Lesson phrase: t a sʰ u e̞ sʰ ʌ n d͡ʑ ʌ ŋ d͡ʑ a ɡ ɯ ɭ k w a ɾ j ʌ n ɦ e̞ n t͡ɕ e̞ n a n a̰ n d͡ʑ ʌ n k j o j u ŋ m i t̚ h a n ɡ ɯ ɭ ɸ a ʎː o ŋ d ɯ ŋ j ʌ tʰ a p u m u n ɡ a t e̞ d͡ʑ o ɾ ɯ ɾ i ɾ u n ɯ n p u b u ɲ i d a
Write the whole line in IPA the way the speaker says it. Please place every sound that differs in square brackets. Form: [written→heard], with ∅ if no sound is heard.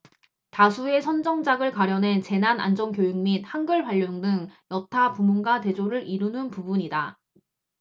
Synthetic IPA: t a sʰ u e̞ sʰ ʌ n d͡ʑ ʌ ŋ d͡ʑ a ɡ ɯ ɭ k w a ɾ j ʌ n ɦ e̞ n t͡ɕ e̞ n a n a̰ n d͡ʑ ʌ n k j o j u ŋ m i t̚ h a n ɡ ɯ ɭ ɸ a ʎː o ŋ d ɯ ŋ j ʌ tʰ a p u m u n ɡ a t e̞ d͡ʑ o ɾ ɯ ɾ i ɾ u n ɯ n p u b u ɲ i d a

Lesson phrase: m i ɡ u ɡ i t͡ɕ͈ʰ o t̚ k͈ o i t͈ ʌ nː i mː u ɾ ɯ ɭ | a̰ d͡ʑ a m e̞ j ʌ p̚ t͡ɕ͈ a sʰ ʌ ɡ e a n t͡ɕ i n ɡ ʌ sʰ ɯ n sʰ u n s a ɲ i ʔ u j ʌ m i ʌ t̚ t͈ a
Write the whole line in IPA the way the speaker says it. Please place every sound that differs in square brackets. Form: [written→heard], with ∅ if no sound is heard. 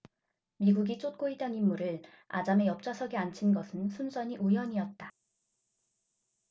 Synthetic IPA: m i ɡ u ɡ i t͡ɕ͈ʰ o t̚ k͈ o i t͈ ʌ [nː→n] i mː u ɾ ɯ ɭ | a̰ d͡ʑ a m e̞ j ʌ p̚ t͡ɕ͈ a sʰ ʌ ɡ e a n [t͡ɕ→t͡ɕʰ] i n ɡ ʌ sʰ ɯ n sʰ u n s [a→ʌ] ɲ i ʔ u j ʌ [m→ɲ] i ʌ t̚ t͈ a

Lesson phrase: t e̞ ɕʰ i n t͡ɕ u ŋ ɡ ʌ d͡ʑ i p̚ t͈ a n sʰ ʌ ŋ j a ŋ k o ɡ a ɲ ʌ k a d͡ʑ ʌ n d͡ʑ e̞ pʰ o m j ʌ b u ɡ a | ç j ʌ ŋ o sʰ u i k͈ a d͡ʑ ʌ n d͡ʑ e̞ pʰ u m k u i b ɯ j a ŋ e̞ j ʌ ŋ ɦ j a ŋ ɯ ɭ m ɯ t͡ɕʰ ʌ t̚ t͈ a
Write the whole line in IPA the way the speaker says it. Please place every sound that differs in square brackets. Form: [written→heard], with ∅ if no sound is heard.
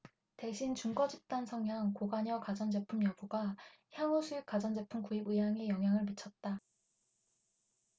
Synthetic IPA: t e̞ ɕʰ i n t͡ɕ u ŋ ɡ ʌ d͡ʑ i p̚ t͈ a n sʰ ʌ ŋ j a ŋ k o ɡ a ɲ ʌ k a d͡ʑ ʌ n d͡ʑ e̞ pʰ [o→u] m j ʌ b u ɡ a | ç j [ʌ→a] ŋ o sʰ u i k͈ a d͡ʑ ʌ n d͡ʑ e̞ pʰ u m k u i b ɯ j a ŋ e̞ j ʌ ŋ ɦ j a ŋ ɯ ɭ m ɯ t͡ɕʰ ʌ t̚ t͈ a

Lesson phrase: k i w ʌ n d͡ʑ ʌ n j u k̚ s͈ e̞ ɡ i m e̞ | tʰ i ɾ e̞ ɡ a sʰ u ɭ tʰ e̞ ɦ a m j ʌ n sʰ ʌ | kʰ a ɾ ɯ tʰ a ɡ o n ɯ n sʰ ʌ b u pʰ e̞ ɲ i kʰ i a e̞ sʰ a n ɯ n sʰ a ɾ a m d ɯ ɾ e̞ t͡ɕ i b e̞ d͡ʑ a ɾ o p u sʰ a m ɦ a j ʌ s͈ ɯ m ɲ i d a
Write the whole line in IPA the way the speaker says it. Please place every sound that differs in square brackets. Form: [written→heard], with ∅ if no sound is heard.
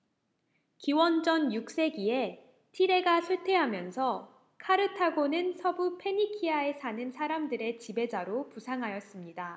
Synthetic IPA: k i w ʌ n d͡ʑ ʌ n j u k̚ s͈ e̞ ɡ i [m→∅] e̞ | tʰ i ɾ e̞ ɡ a sʰ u ɭ tʰ e̞ ɦ a m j ʌ n sʰ ʌ | kʰ a ɾ ɯ tʰ a ɡ o n ɯ n sʰ ʌ b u pʰ e̞ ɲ i kʰ i a e̞ sʰ a n ɯ n sʰ a ɾ a m d ɯ ɾ e̞ t͡ɕ i b e̞ d͡ʑ a ɾ o p u sʰ a [m→ŋ] ɦ a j ʌ s͈ ɯ m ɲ i d a

